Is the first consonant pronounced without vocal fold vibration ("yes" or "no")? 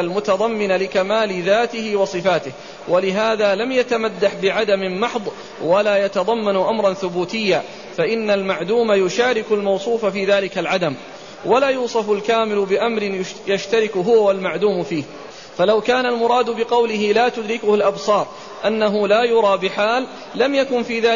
no